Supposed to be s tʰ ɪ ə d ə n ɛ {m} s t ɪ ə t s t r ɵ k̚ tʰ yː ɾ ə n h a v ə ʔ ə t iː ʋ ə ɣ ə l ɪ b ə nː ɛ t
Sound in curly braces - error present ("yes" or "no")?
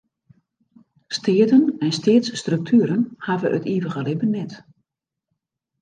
yes